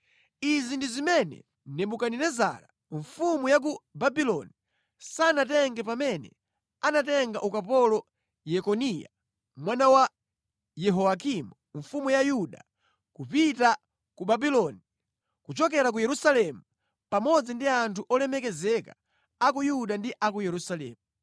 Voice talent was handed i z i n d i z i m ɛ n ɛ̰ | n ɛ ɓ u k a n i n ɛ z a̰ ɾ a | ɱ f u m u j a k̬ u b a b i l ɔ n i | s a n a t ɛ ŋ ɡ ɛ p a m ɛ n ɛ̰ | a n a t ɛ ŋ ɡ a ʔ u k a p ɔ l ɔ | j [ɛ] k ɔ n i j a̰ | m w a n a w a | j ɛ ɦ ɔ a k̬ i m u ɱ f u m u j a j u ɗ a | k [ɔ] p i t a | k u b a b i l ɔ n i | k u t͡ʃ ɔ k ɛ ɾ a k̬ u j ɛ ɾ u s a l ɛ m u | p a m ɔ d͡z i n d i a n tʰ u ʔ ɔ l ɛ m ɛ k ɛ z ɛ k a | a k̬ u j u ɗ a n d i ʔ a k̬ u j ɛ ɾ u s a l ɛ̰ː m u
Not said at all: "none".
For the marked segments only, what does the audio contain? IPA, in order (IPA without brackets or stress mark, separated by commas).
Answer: ɛ, u